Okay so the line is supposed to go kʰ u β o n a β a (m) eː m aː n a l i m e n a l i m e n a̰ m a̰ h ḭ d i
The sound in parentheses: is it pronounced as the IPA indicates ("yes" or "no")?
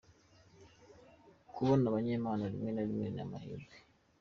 no